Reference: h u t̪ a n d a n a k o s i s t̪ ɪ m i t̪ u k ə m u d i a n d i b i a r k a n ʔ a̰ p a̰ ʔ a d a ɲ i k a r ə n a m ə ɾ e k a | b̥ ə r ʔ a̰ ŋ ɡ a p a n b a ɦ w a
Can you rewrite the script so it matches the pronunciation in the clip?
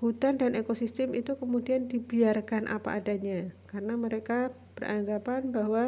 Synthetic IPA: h u t̪ a n d a n e k o s i s t̪ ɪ m i t̪ u k ə m u d i a n d i b i a r k a n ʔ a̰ p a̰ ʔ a d a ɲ a k a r ə n a m ə ɾ e k a | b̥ ə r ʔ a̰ ŋ ɡ a p a n b a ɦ w a